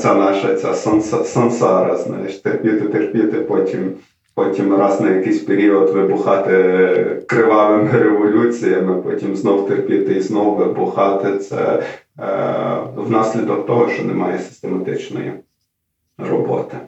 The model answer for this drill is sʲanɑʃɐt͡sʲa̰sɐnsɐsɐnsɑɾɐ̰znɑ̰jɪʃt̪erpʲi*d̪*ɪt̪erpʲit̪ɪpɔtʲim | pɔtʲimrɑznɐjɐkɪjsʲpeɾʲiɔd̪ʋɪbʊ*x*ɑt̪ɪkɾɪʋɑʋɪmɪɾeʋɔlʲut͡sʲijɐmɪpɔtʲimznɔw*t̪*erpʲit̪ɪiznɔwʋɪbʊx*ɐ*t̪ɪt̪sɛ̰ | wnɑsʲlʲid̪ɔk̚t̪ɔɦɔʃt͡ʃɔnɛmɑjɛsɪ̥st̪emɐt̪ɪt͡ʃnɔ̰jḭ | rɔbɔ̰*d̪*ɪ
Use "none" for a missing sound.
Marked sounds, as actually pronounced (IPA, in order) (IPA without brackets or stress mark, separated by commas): t̪, x, t̪, ɑ, t̪